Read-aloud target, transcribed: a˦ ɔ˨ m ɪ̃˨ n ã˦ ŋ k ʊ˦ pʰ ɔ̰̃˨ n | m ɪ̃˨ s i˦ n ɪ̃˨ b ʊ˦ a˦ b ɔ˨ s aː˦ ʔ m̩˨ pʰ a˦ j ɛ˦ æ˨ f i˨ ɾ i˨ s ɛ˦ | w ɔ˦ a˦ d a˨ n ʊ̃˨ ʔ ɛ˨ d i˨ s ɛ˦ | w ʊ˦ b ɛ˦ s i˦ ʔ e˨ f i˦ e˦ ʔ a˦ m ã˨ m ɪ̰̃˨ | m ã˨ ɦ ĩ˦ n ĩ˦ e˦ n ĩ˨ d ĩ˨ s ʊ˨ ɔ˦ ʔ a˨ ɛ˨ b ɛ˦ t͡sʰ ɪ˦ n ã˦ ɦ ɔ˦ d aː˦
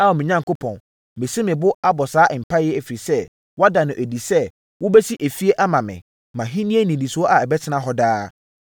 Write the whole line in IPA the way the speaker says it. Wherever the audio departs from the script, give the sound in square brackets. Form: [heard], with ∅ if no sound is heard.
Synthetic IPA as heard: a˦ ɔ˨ m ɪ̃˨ [ɲ] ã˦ ŋ k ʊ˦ pʰ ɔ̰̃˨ n | m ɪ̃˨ s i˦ [m] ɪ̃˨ b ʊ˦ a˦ b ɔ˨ s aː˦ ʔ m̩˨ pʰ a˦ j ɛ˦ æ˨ f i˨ ɾ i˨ s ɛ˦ | w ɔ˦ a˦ d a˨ n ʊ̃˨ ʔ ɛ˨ d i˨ s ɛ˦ | w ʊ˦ b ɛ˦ s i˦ ʔ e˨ f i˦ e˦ ʔ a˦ m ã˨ m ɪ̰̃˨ | m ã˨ ɦ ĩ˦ n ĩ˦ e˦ n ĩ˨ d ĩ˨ s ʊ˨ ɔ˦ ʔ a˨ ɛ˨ b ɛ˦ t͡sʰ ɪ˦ n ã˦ ɦ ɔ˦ d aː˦